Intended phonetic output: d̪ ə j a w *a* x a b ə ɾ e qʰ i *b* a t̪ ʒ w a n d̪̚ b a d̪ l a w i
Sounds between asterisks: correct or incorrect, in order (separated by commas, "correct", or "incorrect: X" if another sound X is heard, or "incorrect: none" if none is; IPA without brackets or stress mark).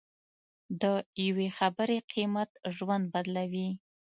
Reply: incorrect: e, incorrect: m